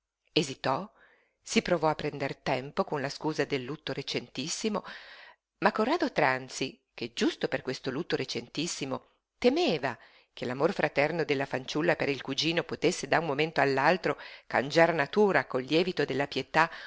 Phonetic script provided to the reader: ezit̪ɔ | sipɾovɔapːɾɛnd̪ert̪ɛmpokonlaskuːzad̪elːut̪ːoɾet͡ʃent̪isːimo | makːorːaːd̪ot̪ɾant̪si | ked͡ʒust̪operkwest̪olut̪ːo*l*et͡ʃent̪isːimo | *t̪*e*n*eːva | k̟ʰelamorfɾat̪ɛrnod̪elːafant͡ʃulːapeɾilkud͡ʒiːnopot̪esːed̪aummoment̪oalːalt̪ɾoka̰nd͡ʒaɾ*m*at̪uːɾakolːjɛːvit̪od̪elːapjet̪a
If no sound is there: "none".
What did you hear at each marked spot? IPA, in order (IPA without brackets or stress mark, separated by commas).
ɾ, t̪, m, n